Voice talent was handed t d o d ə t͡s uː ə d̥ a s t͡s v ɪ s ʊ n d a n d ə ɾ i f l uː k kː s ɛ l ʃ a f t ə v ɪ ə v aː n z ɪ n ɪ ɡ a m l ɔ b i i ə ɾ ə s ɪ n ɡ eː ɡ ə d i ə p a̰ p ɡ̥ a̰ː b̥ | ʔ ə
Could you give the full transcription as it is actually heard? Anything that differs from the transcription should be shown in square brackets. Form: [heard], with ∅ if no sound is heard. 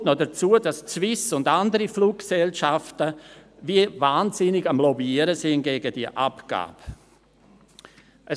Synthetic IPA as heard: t [n] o d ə t͡s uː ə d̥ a s t͡s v ɪ s ʊ n d a n d ə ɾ i f l uː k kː s ɛ l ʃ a f t ə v [i] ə v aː n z ɪ n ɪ ɡ a m l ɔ b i i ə ɾ ə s ɪ n ɡ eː ɡ ə d i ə [ʔ] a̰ p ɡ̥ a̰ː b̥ | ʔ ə